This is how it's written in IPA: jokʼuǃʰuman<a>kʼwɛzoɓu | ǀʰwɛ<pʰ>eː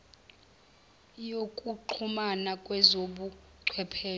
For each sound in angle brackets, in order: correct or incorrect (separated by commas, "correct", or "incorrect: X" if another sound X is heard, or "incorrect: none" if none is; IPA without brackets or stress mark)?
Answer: correct, correct